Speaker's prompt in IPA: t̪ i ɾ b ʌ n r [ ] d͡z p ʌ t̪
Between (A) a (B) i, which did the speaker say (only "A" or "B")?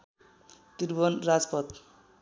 A